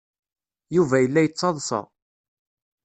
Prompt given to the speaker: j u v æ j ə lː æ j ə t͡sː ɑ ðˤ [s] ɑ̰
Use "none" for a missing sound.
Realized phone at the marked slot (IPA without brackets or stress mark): s